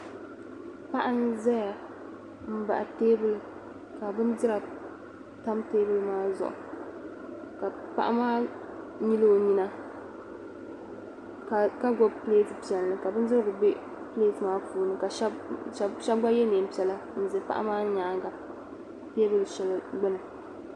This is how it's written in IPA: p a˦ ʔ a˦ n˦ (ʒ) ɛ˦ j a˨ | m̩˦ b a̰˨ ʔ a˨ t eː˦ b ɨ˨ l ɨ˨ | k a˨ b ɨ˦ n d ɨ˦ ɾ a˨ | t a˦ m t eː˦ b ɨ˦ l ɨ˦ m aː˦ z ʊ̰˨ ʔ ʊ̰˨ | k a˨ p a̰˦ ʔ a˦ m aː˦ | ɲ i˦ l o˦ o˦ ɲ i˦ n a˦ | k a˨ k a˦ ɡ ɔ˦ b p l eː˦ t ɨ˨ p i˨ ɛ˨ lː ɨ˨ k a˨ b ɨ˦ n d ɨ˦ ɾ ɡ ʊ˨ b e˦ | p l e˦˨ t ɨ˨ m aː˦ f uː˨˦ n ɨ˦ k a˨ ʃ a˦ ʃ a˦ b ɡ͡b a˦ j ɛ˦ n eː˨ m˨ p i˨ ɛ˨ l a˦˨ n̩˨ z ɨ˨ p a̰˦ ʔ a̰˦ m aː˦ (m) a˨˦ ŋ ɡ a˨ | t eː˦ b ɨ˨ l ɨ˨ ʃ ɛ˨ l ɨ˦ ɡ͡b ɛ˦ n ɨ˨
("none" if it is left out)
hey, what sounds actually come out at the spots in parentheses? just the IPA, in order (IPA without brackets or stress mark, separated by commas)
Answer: z, ɲ